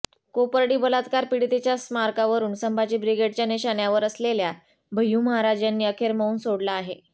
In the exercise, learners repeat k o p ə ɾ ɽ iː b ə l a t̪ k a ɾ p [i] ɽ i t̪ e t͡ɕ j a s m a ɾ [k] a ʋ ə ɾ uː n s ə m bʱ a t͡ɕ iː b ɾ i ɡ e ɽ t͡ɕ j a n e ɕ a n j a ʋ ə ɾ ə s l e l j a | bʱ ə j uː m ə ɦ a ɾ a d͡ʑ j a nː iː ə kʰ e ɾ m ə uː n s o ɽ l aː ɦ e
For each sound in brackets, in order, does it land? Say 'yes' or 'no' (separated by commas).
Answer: yes, yes